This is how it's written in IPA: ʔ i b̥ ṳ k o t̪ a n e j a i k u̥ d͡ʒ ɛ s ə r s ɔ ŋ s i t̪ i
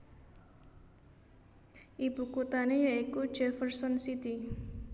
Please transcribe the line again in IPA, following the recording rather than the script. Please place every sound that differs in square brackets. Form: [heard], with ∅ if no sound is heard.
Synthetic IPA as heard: ʔ i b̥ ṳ k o t̪ a n e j a i k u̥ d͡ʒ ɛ [f] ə r s ɔ [n] s i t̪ i